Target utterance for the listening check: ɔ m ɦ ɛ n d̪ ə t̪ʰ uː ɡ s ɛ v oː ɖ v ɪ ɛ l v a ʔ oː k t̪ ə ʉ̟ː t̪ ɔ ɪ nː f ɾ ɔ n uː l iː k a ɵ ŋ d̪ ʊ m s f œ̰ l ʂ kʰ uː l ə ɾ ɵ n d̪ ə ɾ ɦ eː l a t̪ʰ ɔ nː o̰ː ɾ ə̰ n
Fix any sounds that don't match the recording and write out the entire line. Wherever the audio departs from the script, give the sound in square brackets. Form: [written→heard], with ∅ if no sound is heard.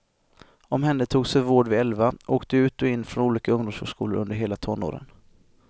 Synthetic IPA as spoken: ɔ m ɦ ɛ n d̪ ə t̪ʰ uː ɡ s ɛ v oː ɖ v ɪ ɛ l v a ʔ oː k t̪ ə ʉ̟ː t̪ ɔ ɪ nː f ɾ ɔ n uː l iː k a ɵ ŋ d̪ ʊ m s [f→h] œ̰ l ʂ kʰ uː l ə ɾ ɵ n d̪ ə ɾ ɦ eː l a t̪ʰ ɔ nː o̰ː ɾ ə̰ n